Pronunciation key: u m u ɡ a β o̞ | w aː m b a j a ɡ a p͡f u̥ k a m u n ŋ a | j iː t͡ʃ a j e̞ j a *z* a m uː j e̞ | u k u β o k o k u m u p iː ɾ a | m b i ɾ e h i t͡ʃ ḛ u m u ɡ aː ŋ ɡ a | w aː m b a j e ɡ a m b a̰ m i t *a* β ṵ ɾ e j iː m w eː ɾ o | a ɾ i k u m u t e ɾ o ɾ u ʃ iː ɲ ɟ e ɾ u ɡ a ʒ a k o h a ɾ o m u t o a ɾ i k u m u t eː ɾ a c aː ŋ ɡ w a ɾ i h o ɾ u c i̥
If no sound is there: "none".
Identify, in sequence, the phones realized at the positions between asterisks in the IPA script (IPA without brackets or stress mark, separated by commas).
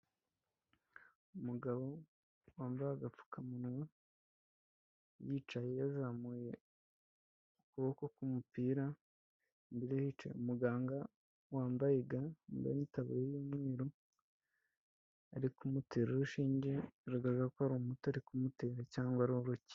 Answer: z, a